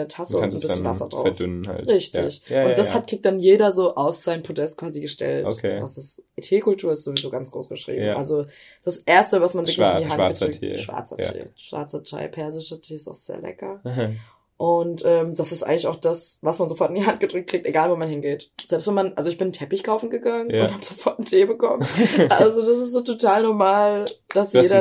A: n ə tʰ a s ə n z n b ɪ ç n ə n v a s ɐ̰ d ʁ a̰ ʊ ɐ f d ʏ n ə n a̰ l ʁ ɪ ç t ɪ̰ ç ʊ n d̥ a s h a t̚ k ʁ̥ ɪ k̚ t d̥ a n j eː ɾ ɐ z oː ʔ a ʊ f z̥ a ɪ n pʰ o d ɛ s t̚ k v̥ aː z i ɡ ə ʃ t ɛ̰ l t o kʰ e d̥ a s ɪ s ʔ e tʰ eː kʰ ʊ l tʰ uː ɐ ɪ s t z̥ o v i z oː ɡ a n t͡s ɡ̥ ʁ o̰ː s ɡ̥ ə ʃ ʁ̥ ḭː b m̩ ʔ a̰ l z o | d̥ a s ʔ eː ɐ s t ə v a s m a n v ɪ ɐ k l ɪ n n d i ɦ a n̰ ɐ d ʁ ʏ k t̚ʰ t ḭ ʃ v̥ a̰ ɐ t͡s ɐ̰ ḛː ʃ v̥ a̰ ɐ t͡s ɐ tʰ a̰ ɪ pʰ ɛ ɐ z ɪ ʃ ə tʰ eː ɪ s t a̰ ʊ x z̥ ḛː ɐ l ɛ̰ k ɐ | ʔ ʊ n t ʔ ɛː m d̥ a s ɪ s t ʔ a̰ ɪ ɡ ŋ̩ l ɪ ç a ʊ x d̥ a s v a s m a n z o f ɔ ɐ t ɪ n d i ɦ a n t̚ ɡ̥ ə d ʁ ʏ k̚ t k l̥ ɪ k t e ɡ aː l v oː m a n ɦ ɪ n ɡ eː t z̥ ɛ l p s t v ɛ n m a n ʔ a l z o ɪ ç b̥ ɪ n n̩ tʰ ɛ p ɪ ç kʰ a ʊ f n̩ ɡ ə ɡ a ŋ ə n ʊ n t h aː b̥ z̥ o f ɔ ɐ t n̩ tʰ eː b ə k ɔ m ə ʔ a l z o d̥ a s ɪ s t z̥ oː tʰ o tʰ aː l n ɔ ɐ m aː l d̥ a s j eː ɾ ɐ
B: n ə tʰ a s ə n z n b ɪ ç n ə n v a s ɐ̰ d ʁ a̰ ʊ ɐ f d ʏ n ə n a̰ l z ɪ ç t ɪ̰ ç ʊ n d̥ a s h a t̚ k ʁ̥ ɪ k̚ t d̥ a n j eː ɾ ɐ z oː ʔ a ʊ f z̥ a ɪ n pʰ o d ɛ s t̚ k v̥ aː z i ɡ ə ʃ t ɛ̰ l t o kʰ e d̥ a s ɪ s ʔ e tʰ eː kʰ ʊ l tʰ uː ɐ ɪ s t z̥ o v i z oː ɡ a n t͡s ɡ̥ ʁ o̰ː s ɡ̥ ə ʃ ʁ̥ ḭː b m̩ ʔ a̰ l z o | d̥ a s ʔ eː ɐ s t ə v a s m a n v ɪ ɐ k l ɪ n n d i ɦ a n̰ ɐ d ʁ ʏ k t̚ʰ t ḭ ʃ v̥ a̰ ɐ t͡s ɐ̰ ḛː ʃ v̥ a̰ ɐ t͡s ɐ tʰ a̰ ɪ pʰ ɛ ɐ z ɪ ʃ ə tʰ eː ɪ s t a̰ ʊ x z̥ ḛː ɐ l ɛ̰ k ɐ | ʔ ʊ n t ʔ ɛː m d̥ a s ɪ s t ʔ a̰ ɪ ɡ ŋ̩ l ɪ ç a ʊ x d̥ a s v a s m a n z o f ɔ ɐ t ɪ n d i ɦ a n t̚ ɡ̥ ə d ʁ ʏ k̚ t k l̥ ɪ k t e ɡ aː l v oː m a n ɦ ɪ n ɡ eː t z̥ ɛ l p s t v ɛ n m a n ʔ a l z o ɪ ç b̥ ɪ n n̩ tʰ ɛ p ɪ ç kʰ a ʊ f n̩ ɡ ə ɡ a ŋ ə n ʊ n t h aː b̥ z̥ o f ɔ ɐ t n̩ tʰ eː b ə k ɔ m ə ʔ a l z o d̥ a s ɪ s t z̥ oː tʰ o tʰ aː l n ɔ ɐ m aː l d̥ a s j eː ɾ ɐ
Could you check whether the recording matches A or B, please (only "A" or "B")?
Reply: A